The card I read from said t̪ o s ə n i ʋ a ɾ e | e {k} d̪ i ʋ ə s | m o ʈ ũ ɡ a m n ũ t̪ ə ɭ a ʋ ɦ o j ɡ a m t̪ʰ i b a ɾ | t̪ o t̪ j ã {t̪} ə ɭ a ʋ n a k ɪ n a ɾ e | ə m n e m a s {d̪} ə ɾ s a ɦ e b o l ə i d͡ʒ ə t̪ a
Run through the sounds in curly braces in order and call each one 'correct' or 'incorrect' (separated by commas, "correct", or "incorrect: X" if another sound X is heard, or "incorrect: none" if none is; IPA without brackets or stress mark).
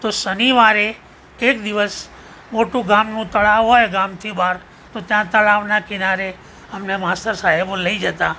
correct, correct, incorrect: t̪